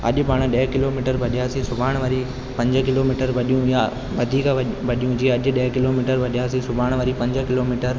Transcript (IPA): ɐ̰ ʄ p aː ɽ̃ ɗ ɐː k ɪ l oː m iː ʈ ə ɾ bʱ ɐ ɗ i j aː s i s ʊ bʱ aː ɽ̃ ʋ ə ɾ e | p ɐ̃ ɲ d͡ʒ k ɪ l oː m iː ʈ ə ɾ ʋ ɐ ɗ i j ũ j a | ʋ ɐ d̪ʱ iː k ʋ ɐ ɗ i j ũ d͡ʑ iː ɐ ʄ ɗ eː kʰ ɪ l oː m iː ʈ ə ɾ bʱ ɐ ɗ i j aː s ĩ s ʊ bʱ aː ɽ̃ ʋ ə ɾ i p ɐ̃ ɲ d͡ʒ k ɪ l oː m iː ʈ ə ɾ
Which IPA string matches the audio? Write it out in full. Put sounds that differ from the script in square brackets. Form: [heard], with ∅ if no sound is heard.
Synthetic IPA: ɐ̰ ʄ p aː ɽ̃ ɗ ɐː k ɪ l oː m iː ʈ ə ɾ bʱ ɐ ɗ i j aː s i s ʊ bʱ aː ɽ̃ ʋ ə ɾ [i] | p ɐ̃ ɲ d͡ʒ k ɪ l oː m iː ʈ ə ɾ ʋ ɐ ɗ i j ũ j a | ʋ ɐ d̪ʱ iː k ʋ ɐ ɗ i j ũ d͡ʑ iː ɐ ʄ ɗ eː [k] ɪ l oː m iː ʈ ə ɾ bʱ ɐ ɗ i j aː s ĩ s ʊ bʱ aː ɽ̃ ʋ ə ɾ i p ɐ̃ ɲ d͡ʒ k ɪ l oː m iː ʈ ə ɾ